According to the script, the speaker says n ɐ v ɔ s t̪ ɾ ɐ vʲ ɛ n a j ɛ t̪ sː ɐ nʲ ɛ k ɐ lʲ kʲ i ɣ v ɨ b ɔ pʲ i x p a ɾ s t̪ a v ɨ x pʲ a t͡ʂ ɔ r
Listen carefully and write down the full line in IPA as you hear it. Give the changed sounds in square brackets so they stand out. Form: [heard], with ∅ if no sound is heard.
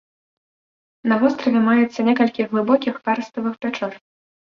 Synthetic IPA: n ɐ v ɔ s t̪ ɾ ɐ vʲ ɛ [m] a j ɛ t̪ sː ɐ nʲ ɛ k ɐ lʲ kʲ i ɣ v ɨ b ɔ [kʲ] i x p a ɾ s t̪ [ɐ] v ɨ x pʲ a t͡ʂ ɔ r

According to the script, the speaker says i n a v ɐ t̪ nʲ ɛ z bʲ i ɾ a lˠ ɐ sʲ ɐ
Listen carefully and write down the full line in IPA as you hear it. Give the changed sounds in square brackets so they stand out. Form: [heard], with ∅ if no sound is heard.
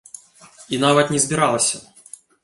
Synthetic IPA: i n a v ɐ t̪ nʲ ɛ z bʲ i ɾ a lˠ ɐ sʲ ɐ

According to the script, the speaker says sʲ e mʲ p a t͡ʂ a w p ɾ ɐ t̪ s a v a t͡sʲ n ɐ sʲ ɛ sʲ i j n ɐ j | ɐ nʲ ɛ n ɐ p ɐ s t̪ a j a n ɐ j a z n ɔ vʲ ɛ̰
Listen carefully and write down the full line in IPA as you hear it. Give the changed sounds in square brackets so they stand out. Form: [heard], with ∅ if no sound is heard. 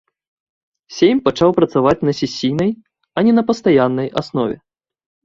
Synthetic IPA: sʲ e mʲ p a t͡ʂ a w p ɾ ɐ t̪ s a v a t͡sʲ n ɐ sʲ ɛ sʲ i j n ɐ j | ɐ nʲ ɛ n ɐ p ɐ s t̪ a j a [nː] ɐ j a [s] n ɔ vʲ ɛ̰

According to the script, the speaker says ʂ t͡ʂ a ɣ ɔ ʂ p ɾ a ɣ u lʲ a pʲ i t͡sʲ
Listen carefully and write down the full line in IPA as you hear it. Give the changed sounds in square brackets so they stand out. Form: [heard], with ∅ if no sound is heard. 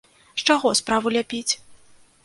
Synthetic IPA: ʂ t͡ʂ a ɣ ɔ [s] p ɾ a [v] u lʲ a pʲ i t͡sʲ

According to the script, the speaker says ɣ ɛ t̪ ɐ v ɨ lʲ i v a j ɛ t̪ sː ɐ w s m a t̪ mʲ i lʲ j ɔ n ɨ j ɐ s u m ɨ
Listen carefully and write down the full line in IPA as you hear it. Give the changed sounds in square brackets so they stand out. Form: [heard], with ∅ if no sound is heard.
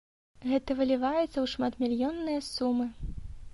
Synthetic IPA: ɣ ɛ t̪ ɐ v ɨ lʲ i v a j ɛ t̪ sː ɐ w [ʂ] m a t̪ mʲ i lʲ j ɔ [nː] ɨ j ɐ s u m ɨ

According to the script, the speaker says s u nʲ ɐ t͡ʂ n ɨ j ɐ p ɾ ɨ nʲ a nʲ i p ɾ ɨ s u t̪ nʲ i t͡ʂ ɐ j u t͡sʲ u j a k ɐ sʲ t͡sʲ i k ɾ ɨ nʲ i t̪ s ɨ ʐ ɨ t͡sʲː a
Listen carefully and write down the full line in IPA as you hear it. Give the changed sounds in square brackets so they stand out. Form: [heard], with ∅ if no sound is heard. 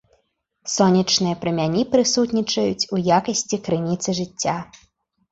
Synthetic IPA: s [ɔ] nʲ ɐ t͡ʂ n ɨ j ɐ p ɾ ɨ [mʲ] a nʲ i p ɾ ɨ s u t̪ nʲ i t͡ʂ ɐ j u t͡sʲ u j a k ɐ sʲ t͡sʲ i k ɾ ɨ nʲ i t̪ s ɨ ʐ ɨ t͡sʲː a

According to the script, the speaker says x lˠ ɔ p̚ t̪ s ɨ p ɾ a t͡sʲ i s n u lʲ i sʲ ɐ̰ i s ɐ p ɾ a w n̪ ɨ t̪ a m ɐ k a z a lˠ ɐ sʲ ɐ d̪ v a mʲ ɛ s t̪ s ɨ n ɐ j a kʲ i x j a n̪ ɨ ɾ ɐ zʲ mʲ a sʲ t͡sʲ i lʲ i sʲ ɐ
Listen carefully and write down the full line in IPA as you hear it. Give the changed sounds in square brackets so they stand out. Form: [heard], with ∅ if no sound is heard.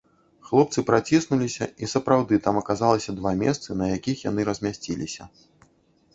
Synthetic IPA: x lˠ ɔ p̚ t̪ s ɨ p ɾ a t͡sʲ i s n u lʲ i sʲ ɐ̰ i s ɐ p ɾ a w [d̪] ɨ t̪ a m ɐ k a z a lˠ ɐ sʲ ɐ d̪ v a mʲ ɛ s t̪ s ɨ n ɐ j a kʲ i x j a n̪ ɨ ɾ ɐ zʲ mʲ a sʲ t͡sʲ i lʲ i sʲ ɐ

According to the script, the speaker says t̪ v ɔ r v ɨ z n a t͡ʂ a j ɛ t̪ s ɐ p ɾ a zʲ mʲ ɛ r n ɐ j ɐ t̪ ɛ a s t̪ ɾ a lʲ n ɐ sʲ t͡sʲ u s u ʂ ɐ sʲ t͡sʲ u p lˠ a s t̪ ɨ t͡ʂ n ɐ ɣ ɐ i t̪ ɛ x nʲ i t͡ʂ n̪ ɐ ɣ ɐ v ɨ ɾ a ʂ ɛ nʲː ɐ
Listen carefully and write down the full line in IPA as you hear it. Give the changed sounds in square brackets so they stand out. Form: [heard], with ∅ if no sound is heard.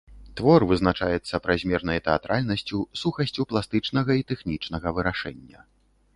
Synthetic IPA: t̪ v ɔ r v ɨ z n a t͡ʂ a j ɛ t̪ [sː] ɐ p ɾ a zʲ mʲ ɛ r n ɐ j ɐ t̪ ɛ a [∅] t̪ ɾ a lʲ n ɐ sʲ t͡sʲ u s u [x] ɐ sʲ t͡sʲ u p lˠ a s t̪ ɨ t͡ʂ n ɐ ɣ ɐ i t̪ ɛ x nʲ i t͡ʂ n̪ ɐ ɣ ɐ v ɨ ɾ a ʂ ɛ nʲː ɐ

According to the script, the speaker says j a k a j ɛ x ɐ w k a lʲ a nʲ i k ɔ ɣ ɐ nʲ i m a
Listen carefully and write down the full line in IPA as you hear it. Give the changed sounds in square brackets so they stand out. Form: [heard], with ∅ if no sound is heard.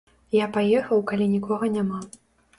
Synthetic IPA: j a [p] a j ɛ x ɐ w k a lʲ [i] nʲ i k ɔ ɣ ɐ nʲ [a] m a

